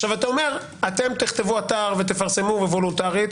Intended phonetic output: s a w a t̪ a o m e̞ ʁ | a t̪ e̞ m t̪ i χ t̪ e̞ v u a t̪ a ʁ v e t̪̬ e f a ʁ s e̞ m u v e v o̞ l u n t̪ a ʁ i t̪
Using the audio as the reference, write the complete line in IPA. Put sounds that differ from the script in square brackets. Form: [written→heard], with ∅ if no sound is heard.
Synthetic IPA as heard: [s→ʃ] a [w→v] a t̪ a o m e̞ ʁ | a t̪ e̞ m t̪ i χ t̪ e̞ v u a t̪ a ʁ v e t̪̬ e f a ʁ s e̞ m u v e v o̞ l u n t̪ a ʁ i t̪